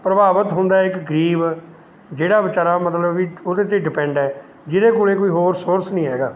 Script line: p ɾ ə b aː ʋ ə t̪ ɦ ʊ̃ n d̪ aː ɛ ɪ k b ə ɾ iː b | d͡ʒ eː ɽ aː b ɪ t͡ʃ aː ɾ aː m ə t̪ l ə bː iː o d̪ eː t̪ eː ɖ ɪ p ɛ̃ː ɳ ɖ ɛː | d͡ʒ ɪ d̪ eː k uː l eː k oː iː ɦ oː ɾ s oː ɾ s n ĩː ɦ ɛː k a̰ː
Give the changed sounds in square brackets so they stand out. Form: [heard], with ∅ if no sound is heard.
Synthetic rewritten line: p ɾ ə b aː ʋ ə t̪ ɦ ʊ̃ n d̪ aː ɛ ɪ k [ɡ] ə ɾ iː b | d͡ʒ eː ɽ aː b ɪ t͡ʃ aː ɾ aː m ə t̪ l ə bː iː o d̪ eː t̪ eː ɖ ɪ p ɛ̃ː ɳ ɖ ɛː | d͡ʒ ɪ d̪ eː k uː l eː k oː iː ɦ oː ɾ s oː ɾ s n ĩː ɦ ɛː [ɡ] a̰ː